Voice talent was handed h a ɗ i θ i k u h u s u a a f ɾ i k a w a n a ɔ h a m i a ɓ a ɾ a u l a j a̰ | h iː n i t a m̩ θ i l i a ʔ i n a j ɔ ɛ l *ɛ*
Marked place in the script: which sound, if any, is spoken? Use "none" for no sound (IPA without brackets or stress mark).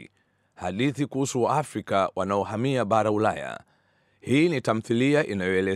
ɛ